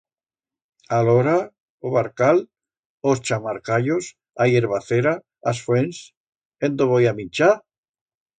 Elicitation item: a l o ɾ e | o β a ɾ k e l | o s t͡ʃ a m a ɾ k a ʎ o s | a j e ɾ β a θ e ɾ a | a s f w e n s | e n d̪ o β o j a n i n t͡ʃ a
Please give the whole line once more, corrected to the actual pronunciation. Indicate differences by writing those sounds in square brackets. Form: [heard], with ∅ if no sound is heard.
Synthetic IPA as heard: a l o ɾ [a] | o β a ɾ k [a] l | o s t͡ʃ a m a ɾ k a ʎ o s | a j e ɾ β a θ e ɾ a | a s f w e n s | e n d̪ o β o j a [m] i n t͡ʃ a